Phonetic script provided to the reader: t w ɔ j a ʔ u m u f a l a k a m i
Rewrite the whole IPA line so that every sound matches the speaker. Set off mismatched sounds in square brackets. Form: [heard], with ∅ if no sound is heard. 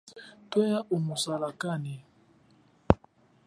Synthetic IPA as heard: t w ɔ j a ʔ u m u [s] a l a k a [n] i